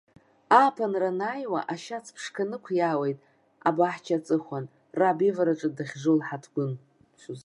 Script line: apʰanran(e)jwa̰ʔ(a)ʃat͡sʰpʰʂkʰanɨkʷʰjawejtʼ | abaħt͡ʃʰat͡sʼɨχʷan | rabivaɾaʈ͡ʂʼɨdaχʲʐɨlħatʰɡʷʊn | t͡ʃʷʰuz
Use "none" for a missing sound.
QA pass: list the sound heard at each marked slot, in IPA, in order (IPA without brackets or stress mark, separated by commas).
a, a